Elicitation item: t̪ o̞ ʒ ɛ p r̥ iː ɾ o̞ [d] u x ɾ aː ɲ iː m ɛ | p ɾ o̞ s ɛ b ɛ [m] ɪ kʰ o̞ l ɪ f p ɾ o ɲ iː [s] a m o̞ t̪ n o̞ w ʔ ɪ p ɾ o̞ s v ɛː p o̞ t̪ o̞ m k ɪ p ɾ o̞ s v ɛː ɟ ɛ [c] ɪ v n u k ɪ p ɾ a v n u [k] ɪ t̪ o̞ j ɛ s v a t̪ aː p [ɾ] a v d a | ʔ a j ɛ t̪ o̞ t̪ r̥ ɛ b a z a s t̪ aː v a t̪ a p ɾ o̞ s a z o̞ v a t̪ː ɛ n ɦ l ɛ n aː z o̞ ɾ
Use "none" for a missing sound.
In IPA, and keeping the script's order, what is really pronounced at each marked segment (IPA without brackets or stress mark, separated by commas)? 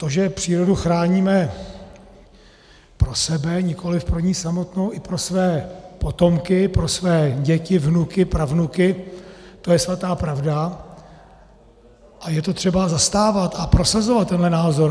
d, ɲ, s, c, k, ɾ